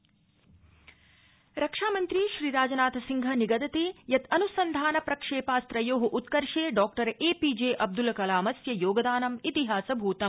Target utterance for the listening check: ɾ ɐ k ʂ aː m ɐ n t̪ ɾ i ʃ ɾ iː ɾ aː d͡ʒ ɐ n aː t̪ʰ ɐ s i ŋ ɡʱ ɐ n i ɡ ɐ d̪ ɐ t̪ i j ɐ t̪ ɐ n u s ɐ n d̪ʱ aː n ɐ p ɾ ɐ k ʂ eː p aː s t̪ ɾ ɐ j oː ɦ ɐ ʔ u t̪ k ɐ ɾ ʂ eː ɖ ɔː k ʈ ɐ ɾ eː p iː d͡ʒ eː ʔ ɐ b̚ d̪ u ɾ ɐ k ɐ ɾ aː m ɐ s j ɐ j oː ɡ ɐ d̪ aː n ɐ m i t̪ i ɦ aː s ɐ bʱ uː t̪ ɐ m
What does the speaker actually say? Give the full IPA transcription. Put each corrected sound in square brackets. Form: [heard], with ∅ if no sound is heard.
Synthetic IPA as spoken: ɾ ɐ k ʂ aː m ɐ n t̪ ɾ i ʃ ɾ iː ɾ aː d͡ʒ ɐ n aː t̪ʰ ɐ s i ŋ ɡʱ ɐ n i ɡ ɐ d̪ ɐ t̪ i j ɐ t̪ ɐ n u s ɐ n d̪ʱ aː n ɐ p ɾ ɐ k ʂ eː p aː s t̪ ɾ ɐ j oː ɦ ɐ ʔ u t̪ k ɐ ɾ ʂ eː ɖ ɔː k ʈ ɐ ɾ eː p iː d͡ʒ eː ʔ ɐ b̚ d̪ u [l] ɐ k ɐ [l] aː m ɐ s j ɐ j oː ɡ ɐ d̪ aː n ɐ m i t̪ i ɦ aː s ɐ bʱ uː t̪ ɐ m